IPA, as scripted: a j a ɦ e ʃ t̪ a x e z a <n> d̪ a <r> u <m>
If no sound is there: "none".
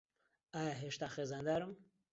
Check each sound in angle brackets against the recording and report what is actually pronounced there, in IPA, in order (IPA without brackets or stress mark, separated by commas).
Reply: n, ɾ, m